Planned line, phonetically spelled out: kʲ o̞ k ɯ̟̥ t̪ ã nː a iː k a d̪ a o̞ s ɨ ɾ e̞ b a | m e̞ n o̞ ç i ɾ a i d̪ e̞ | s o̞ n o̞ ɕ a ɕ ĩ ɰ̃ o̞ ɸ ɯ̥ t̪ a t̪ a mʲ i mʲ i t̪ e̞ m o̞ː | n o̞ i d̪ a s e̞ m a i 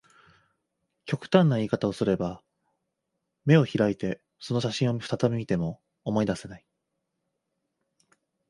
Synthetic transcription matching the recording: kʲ o̞ k ɯ̟̥ t̪ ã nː a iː k a t̪ a o̞ s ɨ ɾ e̞ b a | m e̞ o̞ ç i ɾ a i t̪ e̞ | s o̞ n o̞ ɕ a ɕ ĩ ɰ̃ o̞ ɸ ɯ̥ t̪ a t̪ a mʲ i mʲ i t̪ e̞ m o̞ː | m o̞ i d̪ a s e̞ n a i